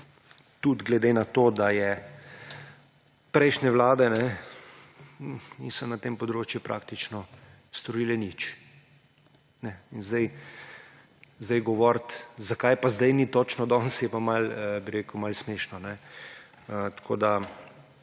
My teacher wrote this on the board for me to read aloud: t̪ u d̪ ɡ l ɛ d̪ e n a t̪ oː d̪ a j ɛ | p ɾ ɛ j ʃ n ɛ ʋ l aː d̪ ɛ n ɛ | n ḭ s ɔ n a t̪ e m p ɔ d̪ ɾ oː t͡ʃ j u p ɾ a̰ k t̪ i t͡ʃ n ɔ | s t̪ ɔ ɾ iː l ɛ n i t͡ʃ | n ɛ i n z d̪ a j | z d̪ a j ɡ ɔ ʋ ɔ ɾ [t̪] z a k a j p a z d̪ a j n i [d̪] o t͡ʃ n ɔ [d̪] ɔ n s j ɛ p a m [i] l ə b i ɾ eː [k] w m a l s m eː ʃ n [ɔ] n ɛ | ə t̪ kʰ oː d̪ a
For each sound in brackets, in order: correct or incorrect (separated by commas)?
correct, incorrect, correct, incorrect, correct, correct